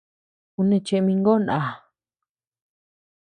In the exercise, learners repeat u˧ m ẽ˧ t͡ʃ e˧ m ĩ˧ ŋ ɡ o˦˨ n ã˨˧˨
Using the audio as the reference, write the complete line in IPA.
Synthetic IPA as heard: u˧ n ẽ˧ t͡ʃ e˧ m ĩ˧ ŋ ɡ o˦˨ n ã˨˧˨

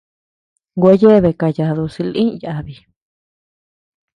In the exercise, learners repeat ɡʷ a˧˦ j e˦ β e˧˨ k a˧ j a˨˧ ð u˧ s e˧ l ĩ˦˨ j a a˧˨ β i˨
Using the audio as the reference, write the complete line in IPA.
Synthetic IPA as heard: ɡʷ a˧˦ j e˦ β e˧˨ k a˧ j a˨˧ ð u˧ s i˧ l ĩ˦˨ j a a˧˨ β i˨

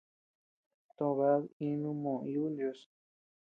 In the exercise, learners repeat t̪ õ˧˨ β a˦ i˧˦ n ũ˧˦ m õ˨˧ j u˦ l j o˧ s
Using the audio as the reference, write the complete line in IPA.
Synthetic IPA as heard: t̪ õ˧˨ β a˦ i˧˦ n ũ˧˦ m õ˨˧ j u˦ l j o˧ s

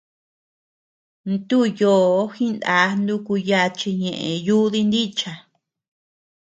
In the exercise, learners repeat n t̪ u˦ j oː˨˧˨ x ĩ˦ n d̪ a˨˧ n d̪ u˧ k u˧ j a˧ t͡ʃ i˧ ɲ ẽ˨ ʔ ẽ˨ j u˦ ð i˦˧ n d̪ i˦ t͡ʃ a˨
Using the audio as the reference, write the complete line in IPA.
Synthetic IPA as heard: n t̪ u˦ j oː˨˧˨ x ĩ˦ n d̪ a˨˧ n d̪ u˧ k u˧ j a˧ t͡ʃ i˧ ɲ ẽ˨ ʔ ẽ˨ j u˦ ð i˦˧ n d̪ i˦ t͡ʃ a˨

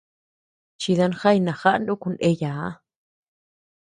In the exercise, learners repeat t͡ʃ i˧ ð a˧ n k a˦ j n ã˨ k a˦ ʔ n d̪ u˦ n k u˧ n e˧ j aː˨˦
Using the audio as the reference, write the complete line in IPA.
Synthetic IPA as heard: t͡ʃ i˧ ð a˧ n x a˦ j n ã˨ x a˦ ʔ n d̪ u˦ k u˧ n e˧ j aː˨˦

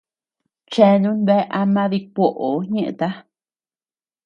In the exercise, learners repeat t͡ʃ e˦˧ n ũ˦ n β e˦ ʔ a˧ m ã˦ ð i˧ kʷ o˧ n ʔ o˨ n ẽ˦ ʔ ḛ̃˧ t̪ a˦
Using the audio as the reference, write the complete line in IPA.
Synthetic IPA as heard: t͡ʃ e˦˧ n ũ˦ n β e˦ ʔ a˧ m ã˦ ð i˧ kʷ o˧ ʔ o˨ ɲ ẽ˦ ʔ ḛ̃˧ t̪ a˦

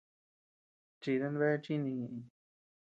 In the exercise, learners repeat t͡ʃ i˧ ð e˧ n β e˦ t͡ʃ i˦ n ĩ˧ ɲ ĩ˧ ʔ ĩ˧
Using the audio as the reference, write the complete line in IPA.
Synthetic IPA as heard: t͡ʃ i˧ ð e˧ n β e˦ t͡ʃ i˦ n ĩ˧ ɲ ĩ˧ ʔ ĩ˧

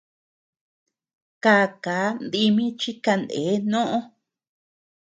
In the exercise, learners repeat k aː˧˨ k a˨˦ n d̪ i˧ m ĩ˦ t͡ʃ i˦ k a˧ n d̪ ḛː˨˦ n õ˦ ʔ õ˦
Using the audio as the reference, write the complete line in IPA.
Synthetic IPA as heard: k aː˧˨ k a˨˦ n d̪ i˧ m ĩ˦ t͡ʃ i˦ k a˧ n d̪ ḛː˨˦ n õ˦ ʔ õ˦

